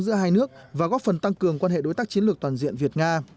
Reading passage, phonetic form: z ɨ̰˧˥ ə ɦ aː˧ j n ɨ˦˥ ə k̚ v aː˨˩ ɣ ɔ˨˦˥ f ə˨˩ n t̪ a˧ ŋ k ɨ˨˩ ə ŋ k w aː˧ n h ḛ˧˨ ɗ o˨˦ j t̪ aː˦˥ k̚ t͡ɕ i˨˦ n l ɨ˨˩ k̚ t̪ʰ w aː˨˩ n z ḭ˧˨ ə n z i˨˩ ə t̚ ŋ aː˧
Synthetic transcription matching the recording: z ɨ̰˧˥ ə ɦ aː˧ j n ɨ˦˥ ə k̚ v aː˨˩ ɣ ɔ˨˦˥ f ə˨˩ n t̪ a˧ ŋ k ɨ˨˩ ə ŋ k w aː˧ n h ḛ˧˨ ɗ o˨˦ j t̪ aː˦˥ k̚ t͡ɕ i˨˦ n l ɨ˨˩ k̚ t̪ w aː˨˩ n z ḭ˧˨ ə n v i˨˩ ə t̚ ŋ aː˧